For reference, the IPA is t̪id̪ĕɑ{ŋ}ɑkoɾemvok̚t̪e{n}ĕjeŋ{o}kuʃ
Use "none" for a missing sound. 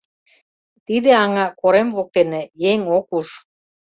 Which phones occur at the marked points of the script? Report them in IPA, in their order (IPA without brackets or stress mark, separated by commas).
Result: ŋ, n, o